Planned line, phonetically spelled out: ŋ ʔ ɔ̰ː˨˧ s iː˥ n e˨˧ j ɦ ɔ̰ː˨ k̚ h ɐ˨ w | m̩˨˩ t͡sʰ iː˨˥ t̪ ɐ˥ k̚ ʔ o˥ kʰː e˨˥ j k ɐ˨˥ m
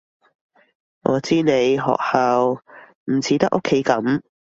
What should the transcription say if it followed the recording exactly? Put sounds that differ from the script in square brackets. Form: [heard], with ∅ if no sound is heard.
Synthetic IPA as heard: ŋ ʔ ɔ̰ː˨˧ [t͡s] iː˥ n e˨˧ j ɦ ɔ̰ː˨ k̚ h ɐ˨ w | m̩˨˩ t͡sʰ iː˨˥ t̪ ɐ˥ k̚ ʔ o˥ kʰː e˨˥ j k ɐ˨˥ m